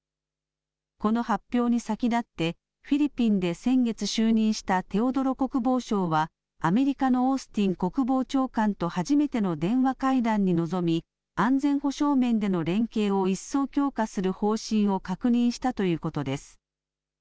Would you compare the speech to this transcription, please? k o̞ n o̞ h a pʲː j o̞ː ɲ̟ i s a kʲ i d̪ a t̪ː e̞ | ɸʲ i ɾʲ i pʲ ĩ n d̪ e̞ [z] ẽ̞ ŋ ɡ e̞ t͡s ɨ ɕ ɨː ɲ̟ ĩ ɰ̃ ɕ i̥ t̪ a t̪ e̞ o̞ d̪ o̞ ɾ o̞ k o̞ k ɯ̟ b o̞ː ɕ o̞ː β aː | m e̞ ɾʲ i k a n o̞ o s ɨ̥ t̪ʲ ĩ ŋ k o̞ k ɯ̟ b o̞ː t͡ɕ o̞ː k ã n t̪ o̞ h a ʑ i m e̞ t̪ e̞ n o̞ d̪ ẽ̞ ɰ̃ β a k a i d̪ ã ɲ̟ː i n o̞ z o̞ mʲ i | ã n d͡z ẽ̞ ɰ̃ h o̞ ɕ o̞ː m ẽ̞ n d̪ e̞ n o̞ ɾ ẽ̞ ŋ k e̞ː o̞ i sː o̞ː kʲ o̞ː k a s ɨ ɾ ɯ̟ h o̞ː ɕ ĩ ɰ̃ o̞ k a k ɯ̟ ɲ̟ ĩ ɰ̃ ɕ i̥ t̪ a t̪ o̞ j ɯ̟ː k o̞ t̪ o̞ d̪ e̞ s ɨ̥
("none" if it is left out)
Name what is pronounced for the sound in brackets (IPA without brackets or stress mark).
s